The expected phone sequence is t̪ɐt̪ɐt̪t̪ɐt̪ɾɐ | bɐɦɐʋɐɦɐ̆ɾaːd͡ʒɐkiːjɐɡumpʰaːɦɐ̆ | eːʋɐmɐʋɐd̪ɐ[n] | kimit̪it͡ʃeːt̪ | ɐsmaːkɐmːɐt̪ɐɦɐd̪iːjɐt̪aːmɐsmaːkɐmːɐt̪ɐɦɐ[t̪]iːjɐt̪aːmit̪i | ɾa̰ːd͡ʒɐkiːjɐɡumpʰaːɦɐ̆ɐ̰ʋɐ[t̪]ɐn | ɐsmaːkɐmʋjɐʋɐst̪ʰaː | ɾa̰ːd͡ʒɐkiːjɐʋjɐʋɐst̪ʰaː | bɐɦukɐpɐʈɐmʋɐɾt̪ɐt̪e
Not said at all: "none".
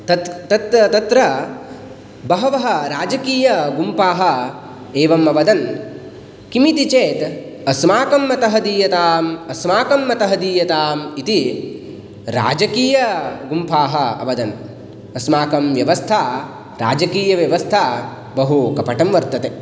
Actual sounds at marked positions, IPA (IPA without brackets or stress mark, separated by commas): n, d̪, d̪